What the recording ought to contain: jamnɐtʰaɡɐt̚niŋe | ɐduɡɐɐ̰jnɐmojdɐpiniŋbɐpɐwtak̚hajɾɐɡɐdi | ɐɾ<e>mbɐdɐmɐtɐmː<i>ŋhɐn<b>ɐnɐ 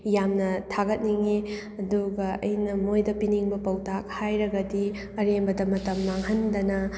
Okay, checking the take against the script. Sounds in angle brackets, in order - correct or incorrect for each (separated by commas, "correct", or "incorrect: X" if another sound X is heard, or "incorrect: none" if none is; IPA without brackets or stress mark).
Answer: correct, incorrect: a, incorrect: d